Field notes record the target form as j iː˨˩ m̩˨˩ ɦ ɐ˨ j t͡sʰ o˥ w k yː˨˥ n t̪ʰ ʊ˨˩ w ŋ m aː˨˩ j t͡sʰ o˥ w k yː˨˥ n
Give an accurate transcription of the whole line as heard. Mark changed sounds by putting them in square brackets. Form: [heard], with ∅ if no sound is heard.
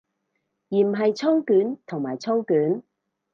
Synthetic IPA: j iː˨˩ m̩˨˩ ɦ ɐ˨ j t͡sʰ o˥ w k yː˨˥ n t̪ʰ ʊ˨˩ [∅] ŋ m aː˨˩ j t͡sʰ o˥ w k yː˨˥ n